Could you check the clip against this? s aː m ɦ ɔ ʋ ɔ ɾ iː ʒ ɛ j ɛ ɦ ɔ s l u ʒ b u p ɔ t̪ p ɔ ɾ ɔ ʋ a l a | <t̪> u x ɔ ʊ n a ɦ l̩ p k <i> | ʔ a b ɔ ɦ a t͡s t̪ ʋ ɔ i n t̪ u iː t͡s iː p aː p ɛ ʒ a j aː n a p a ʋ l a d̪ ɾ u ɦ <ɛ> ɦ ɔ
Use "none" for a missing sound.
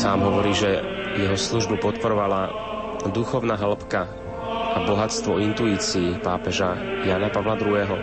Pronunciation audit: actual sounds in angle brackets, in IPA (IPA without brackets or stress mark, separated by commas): d̪, a, ɛː